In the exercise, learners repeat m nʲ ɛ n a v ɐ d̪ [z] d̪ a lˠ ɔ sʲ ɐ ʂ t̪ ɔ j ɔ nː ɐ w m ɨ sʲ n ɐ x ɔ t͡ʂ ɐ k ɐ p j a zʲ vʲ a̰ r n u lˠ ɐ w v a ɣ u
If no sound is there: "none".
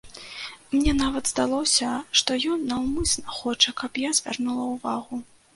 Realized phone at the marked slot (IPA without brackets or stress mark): z